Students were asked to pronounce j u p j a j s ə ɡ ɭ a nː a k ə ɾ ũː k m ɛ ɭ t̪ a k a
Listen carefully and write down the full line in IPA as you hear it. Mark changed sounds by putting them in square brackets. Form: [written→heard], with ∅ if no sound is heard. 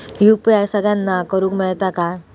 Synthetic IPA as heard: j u p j a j s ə ɡ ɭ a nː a k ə ɾ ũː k m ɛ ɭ t̪ a k a